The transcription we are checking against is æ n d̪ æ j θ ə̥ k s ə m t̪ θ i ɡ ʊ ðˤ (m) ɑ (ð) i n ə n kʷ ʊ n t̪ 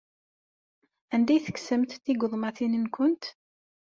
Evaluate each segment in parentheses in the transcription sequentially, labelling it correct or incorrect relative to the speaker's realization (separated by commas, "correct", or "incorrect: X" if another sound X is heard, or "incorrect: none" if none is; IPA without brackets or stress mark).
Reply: correct, incorrect: θ